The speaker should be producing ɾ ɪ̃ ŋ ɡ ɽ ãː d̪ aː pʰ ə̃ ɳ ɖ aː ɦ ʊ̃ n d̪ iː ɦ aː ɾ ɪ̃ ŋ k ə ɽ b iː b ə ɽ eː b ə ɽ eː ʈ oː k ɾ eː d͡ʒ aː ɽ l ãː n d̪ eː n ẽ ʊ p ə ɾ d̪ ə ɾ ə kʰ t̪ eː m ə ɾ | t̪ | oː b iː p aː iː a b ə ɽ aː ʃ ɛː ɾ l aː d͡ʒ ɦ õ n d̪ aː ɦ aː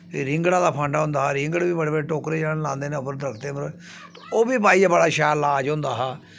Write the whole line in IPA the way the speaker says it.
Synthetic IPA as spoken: ɾ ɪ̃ ŋ ɡ ɽ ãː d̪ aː pʰ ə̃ ɳ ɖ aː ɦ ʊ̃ n d̪ aː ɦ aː ɾ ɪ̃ ŋ ɡ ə ɽ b iː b ə ɽ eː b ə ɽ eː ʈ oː k ɾ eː d͡ʒ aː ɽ l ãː n d̪ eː n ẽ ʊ p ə ɾ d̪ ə ɾ ə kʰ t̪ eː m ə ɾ | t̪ | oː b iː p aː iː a b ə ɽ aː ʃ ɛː ɾ l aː d͡ʒ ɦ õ n d̪ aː ɦ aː

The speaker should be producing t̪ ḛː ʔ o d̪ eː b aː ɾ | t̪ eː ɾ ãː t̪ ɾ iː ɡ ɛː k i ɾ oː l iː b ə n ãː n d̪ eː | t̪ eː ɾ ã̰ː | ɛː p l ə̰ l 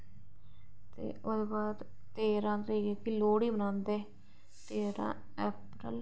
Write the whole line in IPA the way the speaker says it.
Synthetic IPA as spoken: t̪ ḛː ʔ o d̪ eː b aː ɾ | t̪ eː ɾ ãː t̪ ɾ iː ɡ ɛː k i l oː ɽ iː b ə n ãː n d̪ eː | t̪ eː ɾ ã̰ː | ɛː p ɾ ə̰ l

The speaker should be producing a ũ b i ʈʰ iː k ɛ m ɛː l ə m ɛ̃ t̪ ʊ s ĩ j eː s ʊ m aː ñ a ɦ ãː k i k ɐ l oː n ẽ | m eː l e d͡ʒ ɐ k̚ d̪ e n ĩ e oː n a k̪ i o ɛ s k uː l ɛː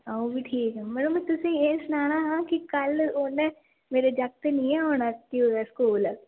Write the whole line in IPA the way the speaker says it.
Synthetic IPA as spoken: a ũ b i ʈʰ iː k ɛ m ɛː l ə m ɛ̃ t̪ ʊ s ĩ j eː s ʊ n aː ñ a ɦ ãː k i k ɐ l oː n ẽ | m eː ɾ e d͡ʒ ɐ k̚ t̪ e n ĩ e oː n a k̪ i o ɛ s k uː l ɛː

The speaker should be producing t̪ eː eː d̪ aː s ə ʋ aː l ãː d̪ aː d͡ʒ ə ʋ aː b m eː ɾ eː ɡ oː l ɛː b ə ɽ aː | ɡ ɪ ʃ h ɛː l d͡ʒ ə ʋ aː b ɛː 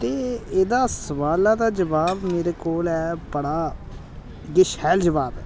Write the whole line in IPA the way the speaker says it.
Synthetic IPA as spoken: t̪ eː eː d̪ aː s ə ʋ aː l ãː d̪ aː d͡ʒ ə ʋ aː b m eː ɾ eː k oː l ɛː b ə ɽ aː | ɡ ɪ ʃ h ɛː l d͡ʒ ə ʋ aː b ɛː

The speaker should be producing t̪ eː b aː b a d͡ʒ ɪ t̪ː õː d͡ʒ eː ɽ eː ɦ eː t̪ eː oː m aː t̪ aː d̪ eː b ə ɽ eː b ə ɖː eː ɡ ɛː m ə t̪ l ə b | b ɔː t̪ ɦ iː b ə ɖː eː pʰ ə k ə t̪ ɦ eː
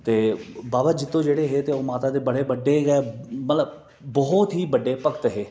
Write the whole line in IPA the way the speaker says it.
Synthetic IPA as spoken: t̪ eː b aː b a d͡ʒ ɪ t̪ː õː d͡ʒ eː ɽ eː ɦ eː t̪ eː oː m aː t̪ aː d̪ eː b ə ɽ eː b ə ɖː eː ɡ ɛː m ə t̪ l ə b | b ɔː t̪ ɦ iː b ə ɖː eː p ə k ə t̪ ɦ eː

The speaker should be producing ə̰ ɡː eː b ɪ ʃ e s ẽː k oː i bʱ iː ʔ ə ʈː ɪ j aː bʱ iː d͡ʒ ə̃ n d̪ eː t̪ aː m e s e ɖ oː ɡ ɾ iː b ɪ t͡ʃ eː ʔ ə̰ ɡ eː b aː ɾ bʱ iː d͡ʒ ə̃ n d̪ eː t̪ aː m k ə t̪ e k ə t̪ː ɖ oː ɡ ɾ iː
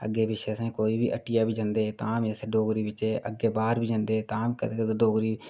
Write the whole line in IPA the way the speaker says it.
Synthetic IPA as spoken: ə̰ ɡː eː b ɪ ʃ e s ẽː k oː i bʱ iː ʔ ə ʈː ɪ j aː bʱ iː d͡ʒ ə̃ n d̪ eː t̪ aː m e s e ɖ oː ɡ ɾ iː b ɪ t͡ʃ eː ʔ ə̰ ɡ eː b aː ɾ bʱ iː d͡ʒ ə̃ n d̪ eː t̪ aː m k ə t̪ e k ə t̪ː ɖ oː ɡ ɾ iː

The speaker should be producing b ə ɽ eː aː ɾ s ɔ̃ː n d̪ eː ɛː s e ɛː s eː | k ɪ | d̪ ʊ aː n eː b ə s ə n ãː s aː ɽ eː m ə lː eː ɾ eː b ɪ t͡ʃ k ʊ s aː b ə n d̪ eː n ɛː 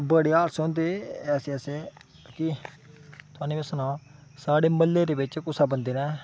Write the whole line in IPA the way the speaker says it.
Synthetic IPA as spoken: b ə ɽ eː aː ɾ s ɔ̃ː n d̪ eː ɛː s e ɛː s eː | k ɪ | t̪ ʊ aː n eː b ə s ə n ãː s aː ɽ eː m ə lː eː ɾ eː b ɪ t͡ʃ k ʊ s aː b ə n d̪ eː n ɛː

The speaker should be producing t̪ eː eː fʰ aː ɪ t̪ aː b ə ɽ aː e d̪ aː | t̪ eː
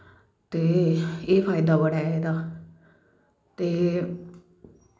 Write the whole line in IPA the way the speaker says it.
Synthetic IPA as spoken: t̪ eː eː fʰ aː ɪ d̪ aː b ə ɽ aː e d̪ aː | t̪ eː

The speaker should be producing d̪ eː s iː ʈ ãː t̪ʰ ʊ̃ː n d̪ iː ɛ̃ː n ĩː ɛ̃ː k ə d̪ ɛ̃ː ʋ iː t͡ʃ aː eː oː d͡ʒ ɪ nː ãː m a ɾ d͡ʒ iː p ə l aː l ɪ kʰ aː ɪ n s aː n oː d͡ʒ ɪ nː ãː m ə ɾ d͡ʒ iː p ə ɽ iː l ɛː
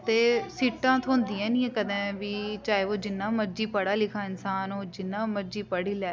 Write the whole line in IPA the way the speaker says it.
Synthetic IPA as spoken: t̪ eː s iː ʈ ãː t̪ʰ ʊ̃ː n d̪ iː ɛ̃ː n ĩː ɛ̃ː k ə d̪ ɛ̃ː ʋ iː t͡ʃ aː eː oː d͡ʒ ɪ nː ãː m ə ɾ d͡ʒ iː p ə ɽ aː l ɪ kʰ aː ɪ n s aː n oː d͡ʒ ɪ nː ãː m ə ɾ d͡ʒ iː p ə ɽ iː l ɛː

